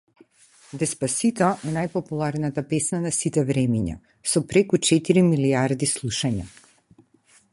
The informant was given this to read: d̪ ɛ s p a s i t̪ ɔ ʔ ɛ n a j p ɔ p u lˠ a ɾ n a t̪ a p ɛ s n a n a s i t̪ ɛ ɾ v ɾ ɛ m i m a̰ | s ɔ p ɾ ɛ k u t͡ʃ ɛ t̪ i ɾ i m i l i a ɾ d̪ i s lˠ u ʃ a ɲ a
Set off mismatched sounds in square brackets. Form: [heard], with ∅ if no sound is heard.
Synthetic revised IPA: d̪ ɛ s p a s i t̪ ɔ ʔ ɛ n a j p ɔ p u lˠ a ɾ n a t̪ a p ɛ s n a n a s i t̪ ɛ [∅] v ɾ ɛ m i [ɲ] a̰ | s ɔ p ɾ ɛ k u t͡ʃ ɛ t̪ i ɾ i m i l i a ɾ d̪ i s lˠ u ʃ a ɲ a